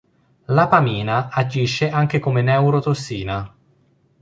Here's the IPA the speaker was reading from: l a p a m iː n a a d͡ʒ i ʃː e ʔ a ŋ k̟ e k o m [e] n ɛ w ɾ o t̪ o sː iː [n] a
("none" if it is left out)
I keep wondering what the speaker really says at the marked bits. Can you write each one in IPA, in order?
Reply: e, n

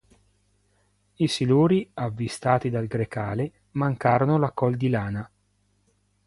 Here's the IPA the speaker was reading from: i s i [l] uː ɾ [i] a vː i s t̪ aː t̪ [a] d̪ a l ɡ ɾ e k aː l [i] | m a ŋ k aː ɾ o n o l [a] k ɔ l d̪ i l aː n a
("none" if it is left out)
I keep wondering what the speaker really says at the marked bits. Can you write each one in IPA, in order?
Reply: l, i, i, e, a

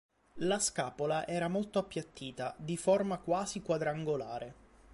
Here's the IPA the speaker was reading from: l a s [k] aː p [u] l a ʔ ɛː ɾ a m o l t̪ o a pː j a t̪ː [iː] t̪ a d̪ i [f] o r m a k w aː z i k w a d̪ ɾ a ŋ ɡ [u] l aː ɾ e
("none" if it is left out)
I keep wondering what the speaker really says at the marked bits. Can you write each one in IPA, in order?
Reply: k, o, iː, f, o

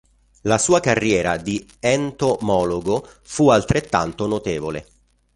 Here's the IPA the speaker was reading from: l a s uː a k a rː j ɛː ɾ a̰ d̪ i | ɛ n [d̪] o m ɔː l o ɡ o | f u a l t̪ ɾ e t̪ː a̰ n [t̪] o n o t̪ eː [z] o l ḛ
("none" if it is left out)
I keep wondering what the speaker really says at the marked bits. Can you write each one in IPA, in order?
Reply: t̪, t̪, v

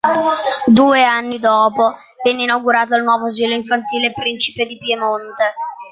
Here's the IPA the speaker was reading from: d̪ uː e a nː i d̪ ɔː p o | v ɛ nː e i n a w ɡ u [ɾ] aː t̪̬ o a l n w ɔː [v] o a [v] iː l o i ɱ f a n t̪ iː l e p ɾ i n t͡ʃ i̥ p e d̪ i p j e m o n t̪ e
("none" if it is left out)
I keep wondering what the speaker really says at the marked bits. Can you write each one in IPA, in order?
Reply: ɾ, v, z

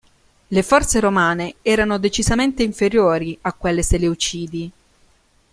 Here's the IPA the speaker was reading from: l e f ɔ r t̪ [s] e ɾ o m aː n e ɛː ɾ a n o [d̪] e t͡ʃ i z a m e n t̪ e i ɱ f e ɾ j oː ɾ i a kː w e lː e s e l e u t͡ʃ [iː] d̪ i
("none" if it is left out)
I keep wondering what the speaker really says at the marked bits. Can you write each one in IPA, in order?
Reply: s, d̪, iː

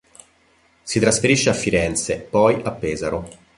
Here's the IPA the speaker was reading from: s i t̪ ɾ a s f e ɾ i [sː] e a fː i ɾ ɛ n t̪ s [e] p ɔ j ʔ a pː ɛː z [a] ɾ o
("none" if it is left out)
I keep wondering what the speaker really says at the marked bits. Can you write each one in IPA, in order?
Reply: ʃː, e, a

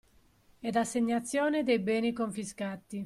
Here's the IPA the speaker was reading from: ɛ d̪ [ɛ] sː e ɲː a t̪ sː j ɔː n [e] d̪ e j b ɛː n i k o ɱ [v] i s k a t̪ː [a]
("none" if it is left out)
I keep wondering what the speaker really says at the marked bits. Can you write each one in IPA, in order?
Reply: a, e, f, i

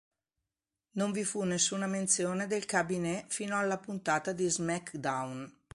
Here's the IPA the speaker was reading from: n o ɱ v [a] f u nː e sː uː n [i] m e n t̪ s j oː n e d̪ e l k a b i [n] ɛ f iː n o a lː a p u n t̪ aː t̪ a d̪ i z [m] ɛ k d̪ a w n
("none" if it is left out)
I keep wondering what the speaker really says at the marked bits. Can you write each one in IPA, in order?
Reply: i, a, n, m

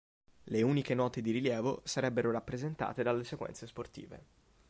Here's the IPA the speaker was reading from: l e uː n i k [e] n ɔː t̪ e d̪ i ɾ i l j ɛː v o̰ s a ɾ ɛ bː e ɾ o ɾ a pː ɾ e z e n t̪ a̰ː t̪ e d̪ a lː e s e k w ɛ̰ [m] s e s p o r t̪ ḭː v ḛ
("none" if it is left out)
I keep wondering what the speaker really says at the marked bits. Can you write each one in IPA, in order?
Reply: e, n

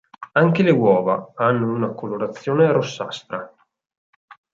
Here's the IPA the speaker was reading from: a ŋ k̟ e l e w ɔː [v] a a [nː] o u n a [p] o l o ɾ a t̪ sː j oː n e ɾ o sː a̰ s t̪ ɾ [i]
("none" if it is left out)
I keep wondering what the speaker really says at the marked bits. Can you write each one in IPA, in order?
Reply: v, nː, k, a

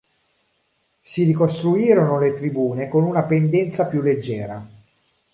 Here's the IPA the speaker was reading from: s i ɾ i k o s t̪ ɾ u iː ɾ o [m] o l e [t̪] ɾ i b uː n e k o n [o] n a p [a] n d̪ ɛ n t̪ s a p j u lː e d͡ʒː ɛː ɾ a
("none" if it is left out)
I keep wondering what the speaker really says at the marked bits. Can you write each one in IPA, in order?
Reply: n, t̪, u, e

